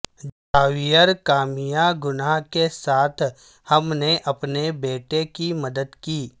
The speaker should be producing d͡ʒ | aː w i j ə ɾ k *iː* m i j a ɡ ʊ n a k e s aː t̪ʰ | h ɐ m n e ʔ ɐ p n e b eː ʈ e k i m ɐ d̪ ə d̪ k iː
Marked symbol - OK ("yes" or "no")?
no